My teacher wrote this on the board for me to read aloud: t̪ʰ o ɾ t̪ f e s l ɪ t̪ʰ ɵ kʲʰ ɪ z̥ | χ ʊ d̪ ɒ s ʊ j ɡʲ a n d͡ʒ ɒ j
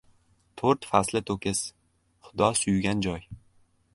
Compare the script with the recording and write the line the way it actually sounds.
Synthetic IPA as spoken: t̪ʰ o ɾ t̪ f a s l ɪ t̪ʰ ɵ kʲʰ ɪ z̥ | χ ʊ d̪ ɒ s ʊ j ɡʲ a n d͡ʒ ɒ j